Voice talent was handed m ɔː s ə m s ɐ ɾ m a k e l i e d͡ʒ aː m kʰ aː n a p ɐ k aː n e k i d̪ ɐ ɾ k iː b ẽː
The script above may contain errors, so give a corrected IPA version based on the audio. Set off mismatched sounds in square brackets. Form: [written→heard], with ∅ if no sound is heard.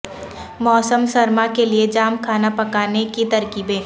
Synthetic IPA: m ɔː s ə m s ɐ ɾ m a k e l i e d͡ʒ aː m kʰ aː n a p ɐ k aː n e k i [d̪→t̪] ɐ ɾ k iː b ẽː